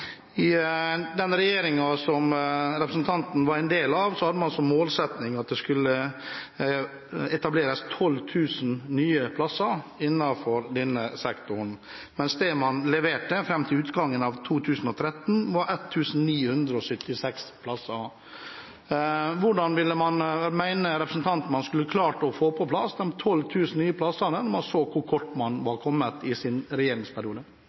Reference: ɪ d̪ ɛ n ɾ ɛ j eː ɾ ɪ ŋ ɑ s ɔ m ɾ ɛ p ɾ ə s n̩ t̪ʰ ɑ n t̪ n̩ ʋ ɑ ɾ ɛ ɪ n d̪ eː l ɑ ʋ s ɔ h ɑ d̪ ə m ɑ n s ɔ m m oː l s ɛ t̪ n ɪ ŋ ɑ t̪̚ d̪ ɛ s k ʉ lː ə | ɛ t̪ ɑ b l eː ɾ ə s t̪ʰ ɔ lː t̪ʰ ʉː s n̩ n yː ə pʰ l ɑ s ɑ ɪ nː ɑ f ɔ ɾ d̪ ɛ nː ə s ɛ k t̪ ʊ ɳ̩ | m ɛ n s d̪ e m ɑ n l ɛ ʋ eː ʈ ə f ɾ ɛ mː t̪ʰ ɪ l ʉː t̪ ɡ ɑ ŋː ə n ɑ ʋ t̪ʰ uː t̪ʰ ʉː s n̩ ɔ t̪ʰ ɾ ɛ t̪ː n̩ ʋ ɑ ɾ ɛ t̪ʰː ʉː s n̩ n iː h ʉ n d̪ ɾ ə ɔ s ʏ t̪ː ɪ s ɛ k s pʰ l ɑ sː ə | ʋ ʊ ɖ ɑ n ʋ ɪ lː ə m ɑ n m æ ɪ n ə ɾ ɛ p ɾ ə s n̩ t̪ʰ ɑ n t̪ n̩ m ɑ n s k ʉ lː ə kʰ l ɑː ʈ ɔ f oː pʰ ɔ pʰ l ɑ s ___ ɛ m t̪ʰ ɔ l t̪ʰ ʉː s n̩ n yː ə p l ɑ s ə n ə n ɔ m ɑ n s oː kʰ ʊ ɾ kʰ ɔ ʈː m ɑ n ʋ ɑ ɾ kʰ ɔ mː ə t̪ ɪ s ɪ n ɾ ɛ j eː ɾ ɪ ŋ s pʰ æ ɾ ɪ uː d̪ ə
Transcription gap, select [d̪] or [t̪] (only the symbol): d̪